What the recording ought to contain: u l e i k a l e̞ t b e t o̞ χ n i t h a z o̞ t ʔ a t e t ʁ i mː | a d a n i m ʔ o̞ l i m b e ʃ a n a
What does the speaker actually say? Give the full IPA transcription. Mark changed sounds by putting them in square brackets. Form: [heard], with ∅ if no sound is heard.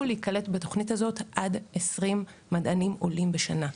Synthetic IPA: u l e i k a l e̞ t b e t o̞ χ n i t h a z o̞ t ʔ a [d] e [s] ʁ i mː | a d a n i m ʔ o̞ l i m b e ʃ a n a